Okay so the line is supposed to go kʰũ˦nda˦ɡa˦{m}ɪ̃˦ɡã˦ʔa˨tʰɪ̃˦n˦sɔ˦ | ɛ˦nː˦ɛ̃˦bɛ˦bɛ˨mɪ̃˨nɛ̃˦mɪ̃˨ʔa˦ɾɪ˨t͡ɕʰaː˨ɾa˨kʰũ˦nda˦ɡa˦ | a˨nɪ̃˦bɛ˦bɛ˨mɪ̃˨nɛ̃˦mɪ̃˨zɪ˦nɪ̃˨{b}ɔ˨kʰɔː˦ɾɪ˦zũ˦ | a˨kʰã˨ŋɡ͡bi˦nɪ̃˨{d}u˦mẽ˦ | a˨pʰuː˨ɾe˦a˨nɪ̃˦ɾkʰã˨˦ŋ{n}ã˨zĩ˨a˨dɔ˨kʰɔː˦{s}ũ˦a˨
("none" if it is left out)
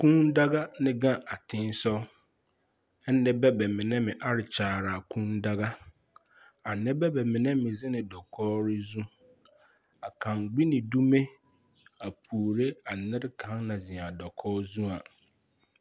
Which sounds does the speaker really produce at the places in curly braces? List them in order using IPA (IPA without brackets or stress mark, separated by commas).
n, d, d, n, z